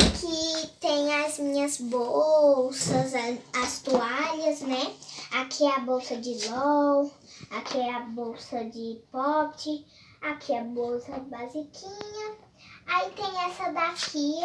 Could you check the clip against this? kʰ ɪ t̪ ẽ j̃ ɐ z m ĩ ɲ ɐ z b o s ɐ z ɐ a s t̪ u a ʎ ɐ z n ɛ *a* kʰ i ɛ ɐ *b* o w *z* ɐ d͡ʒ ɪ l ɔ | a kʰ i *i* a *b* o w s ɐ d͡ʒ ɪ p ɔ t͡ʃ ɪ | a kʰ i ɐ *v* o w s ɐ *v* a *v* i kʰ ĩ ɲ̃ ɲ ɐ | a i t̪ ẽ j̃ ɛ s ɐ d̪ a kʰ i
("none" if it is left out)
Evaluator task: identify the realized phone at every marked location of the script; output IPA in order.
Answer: a, b, s, ɛ, b, b, b, z

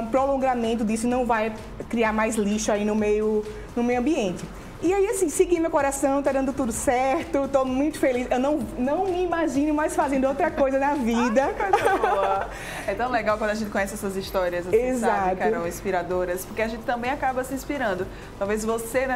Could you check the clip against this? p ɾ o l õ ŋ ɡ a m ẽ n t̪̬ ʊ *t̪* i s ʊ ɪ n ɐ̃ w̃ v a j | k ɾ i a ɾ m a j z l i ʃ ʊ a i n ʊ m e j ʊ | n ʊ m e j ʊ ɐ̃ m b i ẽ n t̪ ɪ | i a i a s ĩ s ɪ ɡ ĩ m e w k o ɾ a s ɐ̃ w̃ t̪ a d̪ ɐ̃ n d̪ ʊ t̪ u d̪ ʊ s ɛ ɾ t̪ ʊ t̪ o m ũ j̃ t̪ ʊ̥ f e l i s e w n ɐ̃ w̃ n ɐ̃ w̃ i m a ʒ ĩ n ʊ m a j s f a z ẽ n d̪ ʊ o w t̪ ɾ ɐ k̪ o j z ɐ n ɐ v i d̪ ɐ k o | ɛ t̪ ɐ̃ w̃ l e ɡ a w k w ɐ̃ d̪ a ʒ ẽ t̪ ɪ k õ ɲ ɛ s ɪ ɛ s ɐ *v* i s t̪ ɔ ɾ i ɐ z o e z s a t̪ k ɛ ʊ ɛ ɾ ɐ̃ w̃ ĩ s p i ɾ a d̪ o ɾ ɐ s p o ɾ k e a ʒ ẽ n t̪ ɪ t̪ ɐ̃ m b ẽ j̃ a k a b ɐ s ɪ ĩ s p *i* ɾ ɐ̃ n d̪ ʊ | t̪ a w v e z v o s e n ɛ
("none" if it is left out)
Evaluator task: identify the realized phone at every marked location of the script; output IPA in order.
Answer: d̪, z, i

